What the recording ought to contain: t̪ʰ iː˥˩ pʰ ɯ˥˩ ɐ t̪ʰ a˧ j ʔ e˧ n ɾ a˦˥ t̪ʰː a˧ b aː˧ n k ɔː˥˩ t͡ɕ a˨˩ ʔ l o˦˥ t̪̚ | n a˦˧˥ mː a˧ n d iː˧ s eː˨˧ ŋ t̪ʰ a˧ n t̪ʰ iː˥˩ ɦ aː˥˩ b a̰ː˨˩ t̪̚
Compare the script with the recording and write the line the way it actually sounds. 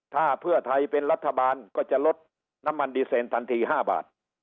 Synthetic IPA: t̪ʰ aː˥˩ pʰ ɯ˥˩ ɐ t̪ʰ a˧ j p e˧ n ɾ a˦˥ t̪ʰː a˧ b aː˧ n k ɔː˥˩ t͡ɕ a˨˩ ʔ l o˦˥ t̪̚ | n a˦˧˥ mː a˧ n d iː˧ s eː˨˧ n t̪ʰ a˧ n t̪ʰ iː˧ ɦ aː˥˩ b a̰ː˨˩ t̪̚